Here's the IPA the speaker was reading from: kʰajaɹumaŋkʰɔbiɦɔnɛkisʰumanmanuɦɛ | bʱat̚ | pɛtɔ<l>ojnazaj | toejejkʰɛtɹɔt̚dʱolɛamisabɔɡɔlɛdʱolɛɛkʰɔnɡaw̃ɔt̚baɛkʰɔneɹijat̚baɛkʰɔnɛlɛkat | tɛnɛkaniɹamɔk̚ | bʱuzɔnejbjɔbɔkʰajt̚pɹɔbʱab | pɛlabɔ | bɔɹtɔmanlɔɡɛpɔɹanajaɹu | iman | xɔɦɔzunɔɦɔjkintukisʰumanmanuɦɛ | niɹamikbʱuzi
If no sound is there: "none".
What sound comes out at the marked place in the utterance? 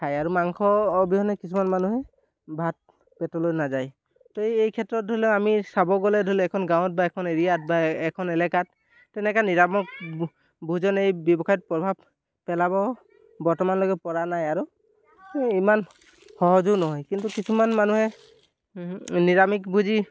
l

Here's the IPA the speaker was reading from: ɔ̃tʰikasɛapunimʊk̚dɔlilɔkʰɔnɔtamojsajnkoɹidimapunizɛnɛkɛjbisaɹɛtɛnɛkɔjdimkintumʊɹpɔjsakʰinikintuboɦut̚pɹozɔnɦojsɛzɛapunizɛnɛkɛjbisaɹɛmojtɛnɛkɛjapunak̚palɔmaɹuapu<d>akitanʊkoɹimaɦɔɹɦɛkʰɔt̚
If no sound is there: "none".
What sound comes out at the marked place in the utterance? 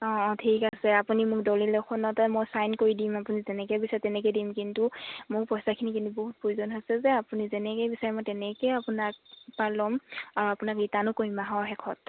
n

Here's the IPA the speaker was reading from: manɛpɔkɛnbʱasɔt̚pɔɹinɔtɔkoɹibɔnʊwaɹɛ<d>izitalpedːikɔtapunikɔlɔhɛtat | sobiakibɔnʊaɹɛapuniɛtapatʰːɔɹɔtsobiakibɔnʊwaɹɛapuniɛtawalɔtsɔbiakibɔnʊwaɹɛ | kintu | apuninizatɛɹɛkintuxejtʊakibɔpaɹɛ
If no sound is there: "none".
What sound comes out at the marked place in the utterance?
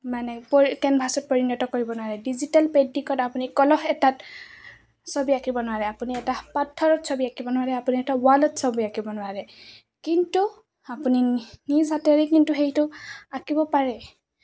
d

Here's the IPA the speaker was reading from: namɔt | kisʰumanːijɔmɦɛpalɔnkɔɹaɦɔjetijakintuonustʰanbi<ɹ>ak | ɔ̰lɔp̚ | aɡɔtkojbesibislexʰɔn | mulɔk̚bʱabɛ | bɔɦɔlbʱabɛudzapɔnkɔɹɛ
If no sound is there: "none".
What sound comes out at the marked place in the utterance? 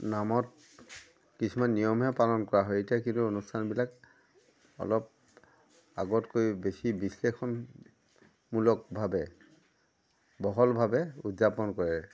l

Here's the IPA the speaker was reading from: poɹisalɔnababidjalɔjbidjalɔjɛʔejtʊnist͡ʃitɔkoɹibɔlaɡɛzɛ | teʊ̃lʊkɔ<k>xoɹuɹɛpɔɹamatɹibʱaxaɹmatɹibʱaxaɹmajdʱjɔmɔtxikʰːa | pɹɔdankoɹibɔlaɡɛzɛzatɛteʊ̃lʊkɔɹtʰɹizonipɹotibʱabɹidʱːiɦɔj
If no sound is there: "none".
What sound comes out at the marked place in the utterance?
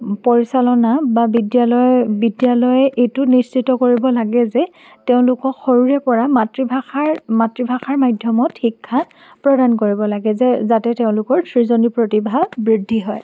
k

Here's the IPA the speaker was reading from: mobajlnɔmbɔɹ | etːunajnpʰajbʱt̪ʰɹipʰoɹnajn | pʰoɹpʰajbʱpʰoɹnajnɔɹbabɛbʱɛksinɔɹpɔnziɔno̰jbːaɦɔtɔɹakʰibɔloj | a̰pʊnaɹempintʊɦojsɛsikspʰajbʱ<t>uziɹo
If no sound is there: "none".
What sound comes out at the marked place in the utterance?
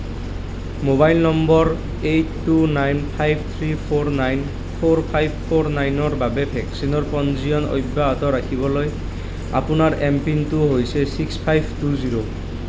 t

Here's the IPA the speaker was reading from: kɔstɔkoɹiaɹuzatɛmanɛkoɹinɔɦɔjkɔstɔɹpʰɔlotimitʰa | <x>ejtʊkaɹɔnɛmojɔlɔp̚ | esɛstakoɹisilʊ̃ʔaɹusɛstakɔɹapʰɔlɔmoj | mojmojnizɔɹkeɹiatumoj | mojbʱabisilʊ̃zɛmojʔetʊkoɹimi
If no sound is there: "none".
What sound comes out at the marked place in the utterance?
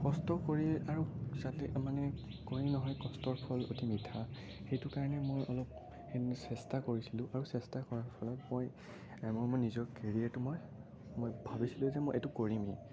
x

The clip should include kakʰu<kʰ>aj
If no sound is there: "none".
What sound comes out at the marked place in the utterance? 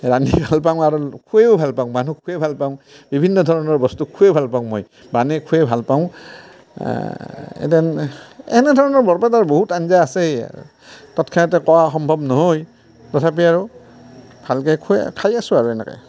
kʰ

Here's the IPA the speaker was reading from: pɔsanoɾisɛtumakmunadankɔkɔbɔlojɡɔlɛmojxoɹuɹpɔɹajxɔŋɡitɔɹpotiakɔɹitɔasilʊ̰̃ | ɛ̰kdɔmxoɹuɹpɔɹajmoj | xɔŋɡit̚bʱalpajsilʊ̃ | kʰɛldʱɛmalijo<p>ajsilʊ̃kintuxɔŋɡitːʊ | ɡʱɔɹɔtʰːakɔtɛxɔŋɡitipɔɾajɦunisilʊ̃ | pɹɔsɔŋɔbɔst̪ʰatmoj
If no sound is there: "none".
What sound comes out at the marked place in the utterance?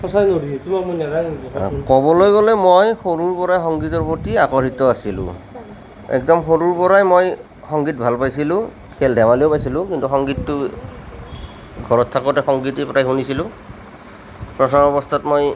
p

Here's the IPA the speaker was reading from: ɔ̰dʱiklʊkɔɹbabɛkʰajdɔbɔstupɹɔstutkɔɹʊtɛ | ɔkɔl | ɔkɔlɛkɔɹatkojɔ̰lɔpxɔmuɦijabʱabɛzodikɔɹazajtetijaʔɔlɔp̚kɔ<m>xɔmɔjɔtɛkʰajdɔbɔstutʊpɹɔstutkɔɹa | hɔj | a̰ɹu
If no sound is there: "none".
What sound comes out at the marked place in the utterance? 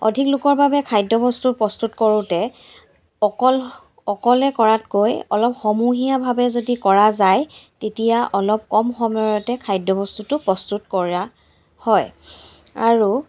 m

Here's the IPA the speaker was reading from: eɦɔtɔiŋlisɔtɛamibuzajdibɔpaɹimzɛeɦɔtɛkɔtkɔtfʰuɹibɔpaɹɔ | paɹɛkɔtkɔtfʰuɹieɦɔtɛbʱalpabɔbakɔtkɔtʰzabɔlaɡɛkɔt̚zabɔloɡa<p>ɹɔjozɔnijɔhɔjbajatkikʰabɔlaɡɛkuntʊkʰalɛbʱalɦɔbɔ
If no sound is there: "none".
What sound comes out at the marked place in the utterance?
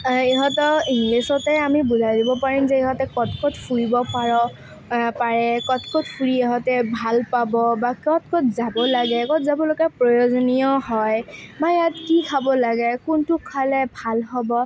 p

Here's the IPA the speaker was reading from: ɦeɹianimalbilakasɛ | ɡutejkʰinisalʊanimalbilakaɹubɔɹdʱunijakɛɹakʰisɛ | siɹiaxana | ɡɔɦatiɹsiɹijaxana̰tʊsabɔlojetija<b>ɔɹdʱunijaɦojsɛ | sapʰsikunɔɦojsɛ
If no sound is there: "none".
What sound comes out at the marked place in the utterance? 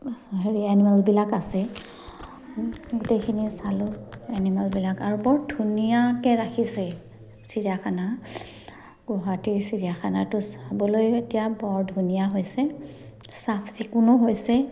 b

